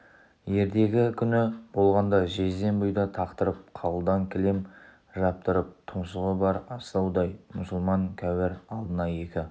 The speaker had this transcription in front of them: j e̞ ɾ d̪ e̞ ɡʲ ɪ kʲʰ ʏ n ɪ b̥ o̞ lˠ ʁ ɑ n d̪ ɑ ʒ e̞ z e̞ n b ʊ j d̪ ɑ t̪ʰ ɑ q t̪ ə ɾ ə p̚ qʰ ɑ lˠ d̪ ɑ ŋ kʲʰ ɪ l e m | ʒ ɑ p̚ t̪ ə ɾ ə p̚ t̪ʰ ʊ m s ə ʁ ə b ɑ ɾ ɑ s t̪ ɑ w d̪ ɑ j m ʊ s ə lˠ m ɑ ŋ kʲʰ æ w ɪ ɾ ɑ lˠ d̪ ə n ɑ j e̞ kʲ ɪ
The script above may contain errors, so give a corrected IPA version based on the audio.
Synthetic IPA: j e̞ ɾ d̪ e̞ ɡʲ ɪ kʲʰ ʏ n ɪ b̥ o̞ lˠ ʁ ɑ n d̪ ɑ ʒ e̞ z e̞ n b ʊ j d̪ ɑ t̪ʰ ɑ q t̪ ə ɾ ə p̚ qʰ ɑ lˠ d̪ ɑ ŋ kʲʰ ɪ l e m | ʒ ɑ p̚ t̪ ə ɾ ə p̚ t̪ʰ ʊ m s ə ʁ ə b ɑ ɾ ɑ s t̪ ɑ w d̪ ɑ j m ʊ s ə lˠ m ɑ ŋ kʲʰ æ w ɪ ɾ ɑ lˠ d̪ ə n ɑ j e̞ kʲ ɪ